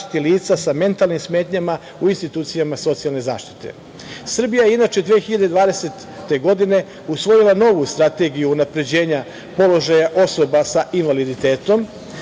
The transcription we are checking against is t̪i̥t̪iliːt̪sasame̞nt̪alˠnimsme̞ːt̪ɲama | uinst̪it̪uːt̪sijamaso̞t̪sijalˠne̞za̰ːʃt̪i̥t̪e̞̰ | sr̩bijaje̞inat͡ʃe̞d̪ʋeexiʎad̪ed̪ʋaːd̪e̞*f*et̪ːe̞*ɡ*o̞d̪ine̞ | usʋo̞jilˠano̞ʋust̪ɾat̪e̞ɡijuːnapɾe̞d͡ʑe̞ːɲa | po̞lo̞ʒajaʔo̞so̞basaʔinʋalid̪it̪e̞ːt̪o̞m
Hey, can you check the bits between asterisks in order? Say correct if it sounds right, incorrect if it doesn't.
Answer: incorrect, correct

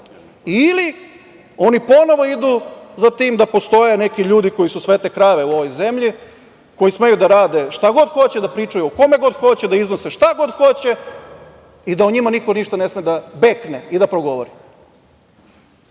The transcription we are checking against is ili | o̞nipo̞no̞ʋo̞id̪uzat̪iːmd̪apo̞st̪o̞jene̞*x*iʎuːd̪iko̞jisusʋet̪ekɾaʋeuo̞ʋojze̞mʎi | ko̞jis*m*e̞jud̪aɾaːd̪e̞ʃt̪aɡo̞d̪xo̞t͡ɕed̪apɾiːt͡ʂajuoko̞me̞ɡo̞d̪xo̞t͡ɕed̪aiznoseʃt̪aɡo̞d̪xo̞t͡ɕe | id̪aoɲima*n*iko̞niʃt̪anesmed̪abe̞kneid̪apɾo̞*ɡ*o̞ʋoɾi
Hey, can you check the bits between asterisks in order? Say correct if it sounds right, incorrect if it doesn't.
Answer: incorrect, correct, correct, correct

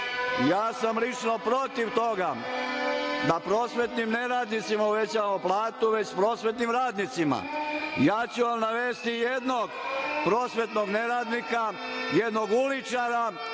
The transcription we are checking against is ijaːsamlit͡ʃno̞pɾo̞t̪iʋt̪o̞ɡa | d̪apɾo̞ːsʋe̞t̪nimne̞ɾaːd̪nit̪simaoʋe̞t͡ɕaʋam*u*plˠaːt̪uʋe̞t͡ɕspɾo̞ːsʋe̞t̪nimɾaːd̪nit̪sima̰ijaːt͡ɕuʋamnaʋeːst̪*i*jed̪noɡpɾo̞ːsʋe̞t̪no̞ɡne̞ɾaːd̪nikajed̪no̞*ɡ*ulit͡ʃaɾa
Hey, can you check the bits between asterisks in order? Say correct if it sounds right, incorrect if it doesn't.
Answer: incorrect, correct, correct

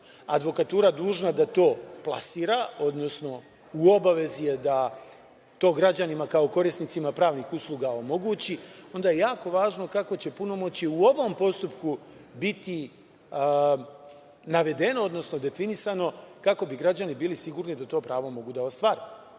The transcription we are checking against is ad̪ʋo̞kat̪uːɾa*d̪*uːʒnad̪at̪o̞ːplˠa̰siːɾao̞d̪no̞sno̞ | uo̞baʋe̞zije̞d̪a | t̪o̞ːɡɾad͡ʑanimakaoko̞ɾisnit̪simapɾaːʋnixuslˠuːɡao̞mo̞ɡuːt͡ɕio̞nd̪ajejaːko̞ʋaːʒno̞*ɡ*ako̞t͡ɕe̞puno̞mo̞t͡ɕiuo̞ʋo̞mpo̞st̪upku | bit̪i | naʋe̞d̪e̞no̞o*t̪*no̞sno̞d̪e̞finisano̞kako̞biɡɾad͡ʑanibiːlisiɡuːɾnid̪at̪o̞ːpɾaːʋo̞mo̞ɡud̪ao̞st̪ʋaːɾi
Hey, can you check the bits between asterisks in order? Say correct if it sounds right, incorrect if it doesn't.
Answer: correct, incorrect, incorrect

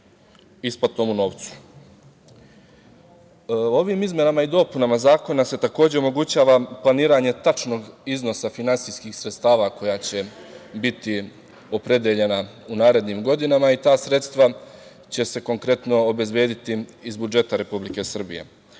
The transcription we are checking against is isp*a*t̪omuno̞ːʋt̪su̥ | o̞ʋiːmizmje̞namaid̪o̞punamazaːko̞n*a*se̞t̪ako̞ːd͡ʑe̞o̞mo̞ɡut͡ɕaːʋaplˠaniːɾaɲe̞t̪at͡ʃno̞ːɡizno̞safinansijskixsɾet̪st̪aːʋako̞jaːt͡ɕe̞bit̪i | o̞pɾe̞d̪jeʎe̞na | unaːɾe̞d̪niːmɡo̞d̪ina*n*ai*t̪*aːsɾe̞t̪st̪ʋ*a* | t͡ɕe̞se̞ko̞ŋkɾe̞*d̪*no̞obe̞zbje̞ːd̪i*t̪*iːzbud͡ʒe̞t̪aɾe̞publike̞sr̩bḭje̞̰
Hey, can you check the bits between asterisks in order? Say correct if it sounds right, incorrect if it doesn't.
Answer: correct, correct, incorrect, correct, correct, incorrect, correct

